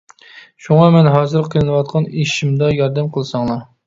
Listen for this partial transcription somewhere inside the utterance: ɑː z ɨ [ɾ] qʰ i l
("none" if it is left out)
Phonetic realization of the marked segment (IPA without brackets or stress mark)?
ɾ